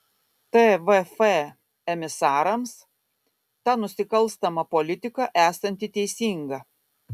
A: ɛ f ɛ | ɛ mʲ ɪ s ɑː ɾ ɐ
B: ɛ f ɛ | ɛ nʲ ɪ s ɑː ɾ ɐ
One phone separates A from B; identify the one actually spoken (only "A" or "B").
A